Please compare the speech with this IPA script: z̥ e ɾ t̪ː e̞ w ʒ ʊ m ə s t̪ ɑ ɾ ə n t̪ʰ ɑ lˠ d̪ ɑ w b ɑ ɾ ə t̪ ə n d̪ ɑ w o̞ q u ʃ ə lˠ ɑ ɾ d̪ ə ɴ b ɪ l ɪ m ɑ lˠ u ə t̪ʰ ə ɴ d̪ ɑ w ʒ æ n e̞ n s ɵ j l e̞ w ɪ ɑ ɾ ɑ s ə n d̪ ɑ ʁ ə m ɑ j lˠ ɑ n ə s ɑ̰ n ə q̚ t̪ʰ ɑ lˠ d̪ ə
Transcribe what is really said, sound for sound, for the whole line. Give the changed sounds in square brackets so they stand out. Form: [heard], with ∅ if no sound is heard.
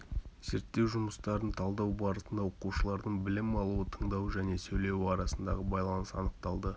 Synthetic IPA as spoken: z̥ e ɾ t̪ː e̞ w ʒ ʊ m ə s t̪ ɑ ɾ ə n t̪ʰ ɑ lˠ d̪ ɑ w b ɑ ɾ ə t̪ ə n d̪ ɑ w o̞ q u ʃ ə lˠ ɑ ɾ d̪ ə ɴ b ɪ l ɪ m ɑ lˠ u ə t̪ʰ ə ɴ d̪ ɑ w ʒ æ n e̞ [∅] s ɵ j l e̞ w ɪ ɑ ɾ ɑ s ə n d̪ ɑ ʁ ə [b] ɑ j lˠ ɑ n ə s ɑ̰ n ə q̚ [t̪] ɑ lˠ d̪ ə